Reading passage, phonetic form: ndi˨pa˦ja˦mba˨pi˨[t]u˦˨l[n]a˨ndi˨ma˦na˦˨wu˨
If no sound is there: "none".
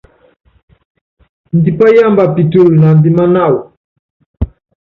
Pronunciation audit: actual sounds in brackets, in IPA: t, n

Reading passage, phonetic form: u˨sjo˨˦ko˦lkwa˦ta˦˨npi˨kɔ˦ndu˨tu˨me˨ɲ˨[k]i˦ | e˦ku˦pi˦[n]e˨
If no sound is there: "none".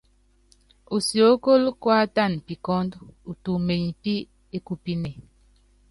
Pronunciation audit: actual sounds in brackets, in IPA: p, n

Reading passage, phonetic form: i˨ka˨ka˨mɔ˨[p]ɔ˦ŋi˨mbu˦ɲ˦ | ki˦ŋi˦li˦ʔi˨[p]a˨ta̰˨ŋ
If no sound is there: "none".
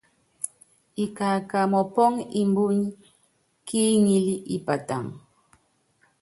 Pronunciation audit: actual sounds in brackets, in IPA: p, p

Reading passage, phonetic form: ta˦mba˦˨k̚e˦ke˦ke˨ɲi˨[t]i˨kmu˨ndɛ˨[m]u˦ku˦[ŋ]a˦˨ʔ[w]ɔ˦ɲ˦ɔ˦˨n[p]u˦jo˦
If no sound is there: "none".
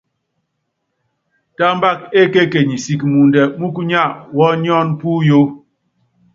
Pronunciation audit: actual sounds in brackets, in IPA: s, m, ɲ, w, p

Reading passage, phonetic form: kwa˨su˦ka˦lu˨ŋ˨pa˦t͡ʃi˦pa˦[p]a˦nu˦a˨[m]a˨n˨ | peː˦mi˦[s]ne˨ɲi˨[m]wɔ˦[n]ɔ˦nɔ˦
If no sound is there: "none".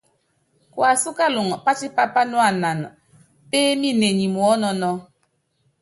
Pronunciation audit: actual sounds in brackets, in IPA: p, n, none, m, n

